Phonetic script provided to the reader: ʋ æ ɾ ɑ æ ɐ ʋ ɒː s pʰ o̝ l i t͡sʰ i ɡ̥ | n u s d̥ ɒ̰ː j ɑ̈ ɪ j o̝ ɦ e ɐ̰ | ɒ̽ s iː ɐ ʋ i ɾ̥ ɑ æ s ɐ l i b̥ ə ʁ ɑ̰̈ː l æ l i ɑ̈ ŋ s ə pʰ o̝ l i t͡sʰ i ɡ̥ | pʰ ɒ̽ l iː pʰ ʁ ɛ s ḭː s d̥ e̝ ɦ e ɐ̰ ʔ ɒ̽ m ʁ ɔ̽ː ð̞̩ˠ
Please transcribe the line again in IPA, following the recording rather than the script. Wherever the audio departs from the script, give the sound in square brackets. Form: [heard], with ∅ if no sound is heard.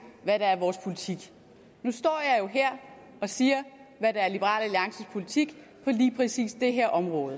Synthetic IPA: ʋ æ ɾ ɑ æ ɐ ʋ ɒː s pʰ o̝ l i t͡sʰ i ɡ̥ | n u s d̥ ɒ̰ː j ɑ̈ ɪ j o̝ ɦ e ɐ̰ | ɒ̽ s iː ɐ ʋ [æ] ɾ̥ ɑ æ [∅] ɐ l i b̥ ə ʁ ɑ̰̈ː l æ l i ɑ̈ ŋ s ə pʰ o̝ l i t͡sʰ i ɡ̥ | pʰ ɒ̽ l iː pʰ ʁ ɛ s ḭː s d̥ e̝ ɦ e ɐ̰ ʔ ɒ̽ m ʁ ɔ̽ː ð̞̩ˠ